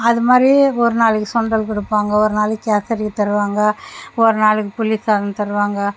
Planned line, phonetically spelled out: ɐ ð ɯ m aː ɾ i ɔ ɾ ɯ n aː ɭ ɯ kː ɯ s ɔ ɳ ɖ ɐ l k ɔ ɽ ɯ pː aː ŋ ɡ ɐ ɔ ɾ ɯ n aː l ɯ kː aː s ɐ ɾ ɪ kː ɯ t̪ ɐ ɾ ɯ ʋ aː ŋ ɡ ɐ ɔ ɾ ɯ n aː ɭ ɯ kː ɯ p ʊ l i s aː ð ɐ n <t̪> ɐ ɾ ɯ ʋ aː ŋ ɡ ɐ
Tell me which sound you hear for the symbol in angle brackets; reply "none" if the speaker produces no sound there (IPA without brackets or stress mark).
t̪